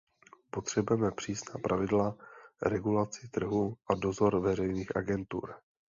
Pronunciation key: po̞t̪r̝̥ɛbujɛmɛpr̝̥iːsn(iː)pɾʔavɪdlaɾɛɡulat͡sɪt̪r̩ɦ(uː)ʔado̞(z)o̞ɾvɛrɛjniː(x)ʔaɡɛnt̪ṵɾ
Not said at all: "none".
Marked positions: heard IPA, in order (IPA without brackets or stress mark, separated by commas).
aː, u, z, x